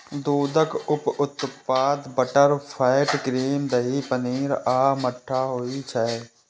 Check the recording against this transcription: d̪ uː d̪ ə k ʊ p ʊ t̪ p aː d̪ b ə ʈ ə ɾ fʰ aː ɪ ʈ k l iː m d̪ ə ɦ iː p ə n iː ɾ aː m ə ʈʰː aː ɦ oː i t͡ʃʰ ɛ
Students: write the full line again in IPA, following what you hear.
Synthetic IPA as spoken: d̪ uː d̪ ə k ʊ p ʊ t̪ p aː d̪ b ə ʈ ə ɾ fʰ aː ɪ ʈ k ɾ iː m d̪ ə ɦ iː p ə n iː ɾ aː m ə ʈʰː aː ɦ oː i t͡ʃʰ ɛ